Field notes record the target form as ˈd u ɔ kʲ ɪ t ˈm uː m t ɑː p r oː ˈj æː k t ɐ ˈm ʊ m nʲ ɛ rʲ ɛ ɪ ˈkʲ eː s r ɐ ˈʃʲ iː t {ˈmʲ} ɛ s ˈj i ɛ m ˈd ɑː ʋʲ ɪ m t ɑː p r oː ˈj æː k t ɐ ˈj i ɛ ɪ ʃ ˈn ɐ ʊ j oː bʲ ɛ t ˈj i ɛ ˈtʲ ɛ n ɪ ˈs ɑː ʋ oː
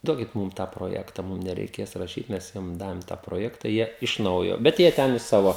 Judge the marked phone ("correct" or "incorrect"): correct